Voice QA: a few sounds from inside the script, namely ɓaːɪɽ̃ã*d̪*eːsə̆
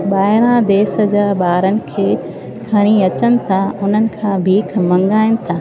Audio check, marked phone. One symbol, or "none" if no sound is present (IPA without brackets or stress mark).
d̪